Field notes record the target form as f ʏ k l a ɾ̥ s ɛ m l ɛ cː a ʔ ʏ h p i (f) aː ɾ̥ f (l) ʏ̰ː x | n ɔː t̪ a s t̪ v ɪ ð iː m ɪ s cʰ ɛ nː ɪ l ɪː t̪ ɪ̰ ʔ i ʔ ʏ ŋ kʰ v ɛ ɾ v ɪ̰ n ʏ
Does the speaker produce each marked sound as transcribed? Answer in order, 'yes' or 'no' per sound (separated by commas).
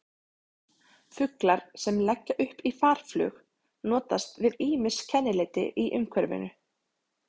yes, yes